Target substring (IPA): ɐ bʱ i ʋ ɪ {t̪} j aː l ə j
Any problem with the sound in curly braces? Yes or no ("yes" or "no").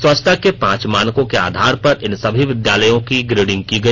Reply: yes